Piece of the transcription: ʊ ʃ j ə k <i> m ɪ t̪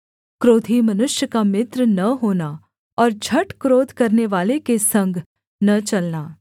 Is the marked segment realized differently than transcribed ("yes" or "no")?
yes